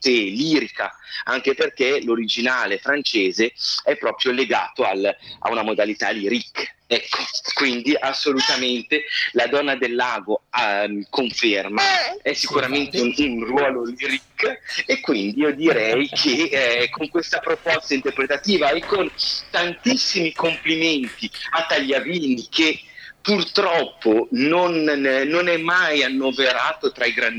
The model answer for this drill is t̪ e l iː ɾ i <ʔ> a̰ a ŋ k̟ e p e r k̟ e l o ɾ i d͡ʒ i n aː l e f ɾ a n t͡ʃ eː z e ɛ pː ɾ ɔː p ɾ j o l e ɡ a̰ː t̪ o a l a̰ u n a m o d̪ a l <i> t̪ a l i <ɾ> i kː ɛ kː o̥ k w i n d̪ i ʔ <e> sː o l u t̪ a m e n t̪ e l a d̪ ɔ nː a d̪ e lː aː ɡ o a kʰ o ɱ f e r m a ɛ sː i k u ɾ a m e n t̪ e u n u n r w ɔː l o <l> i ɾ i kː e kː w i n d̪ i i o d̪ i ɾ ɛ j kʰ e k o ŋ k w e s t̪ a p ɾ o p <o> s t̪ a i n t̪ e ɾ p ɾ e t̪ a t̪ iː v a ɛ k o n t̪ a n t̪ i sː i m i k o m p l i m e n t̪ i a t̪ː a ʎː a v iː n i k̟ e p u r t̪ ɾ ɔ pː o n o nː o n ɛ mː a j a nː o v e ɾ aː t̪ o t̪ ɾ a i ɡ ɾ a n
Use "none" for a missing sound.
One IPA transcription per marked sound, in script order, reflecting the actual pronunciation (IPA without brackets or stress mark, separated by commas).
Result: k, i, ɾ, a, l, ɔ